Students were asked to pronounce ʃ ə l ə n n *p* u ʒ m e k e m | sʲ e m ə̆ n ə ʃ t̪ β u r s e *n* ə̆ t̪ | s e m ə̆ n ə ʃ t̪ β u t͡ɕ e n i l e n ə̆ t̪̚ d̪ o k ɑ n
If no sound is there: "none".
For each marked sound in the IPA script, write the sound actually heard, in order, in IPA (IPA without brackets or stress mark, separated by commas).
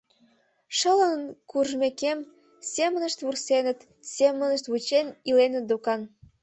k, n